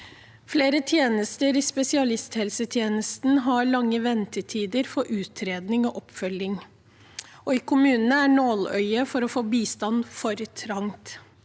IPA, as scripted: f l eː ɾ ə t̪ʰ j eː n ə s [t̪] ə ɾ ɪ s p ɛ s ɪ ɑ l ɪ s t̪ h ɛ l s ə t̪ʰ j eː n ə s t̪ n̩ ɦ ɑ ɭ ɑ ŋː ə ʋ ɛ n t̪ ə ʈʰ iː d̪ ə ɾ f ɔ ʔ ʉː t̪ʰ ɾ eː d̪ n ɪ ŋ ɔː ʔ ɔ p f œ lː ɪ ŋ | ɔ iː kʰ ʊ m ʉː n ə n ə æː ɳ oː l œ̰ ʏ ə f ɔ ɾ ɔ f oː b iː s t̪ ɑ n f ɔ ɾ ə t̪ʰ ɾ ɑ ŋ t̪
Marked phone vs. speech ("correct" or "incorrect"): correct